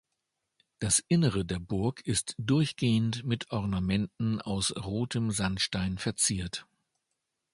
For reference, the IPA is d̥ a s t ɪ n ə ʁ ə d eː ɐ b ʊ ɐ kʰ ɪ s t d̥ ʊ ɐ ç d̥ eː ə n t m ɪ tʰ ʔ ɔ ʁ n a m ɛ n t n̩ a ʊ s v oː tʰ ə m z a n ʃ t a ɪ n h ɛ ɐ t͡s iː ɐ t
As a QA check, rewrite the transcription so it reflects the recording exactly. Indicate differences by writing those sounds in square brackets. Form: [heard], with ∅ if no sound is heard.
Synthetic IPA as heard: d̥ a s [ʔ] ɪ n ə ʁ ə d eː ɐ b ʊ ɐ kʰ ɪ s t d̥ ʊ ɐ ç [ɡ̥] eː ə n t m ɪ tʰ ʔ ɔ ʁ n a m ɛ n t n̩ a ʊ s [ʁ] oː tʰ ə m z a n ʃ t a ɪ n [f] ɛ ɐ t͡s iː ɐ t